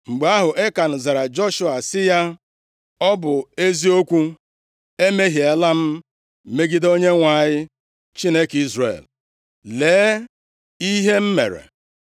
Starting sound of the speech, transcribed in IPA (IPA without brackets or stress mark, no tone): ŋ͡m̩